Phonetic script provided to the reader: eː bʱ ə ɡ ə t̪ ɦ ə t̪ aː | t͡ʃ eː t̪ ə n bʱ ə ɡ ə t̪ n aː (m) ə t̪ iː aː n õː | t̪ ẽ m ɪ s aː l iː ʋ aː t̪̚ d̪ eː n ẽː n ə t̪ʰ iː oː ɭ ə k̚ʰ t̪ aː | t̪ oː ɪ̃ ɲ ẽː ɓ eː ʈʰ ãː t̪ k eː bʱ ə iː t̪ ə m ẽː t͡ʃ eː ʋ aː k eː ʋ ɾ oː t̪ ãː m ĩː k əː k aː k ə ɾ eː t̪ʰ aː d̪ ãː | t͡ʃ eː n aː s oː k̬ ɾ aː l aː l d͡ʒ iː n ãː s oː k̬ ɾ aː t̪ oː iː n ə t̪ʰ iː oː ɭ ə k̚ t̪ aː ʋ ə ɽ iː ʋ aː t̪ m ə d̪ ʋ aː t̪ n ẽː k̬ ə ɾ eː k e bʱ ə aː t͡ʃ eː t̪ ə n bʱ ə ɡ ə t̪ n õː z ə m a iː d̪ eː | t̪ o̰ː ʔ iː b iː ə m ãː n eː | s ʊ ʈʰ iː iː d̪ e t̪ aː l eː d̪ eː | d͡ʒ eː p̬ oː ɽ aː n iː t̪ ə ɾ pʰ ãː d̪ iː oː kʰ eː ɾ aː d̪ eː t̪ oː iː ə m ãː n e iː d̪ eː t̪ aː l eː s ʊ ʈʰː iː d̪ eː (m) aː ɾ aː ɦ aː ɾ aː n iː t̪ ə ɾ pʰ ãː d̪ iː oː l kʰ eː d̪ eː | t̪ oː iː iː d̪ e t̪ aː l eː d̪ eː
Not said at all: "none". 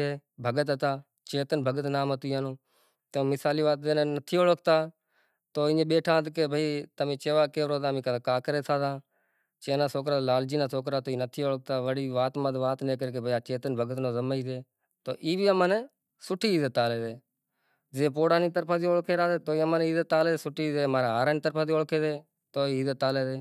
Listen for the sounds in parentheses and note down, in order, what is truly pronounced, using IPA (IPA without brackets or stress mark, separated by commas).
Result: m, m